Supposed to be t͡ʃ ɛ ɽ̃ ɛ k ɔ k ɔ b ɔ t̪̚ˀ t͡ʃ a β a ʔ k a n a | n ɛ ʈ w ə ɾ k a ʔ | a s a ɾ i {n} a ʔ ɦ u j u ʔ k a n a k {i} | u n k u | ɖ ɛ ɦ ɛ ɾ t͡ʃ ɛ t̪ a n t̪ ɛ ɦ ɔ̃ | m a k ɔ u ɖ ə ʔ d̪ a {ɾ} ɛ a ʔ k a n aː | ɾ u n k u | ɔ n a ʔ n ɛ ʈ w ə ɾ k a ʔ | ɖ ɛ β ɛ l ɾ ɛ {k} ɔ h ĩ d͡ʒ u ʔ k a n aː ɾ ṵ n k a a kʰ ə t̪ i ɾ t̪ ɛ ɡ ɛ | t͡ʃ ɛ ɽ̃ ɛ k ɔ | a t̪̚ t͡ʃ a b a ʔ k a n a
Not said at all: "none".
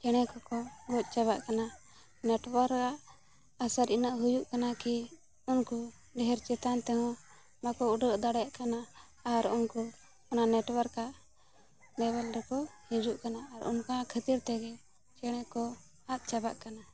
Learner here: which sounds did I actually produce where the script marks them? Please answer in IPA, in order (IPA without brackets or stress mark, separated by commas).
n, i, ɽ, k